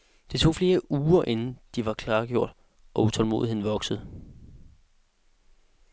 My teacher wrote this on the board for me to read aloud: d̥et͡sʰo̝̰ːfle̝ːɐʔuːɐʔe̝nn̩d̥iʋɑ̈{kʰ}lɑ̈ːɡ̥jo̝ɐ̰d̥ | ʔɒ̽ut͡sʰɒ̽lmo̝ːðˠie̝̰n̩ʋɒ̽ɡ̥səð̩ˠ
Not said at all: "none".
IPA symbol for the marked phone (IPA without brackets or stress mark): kʰ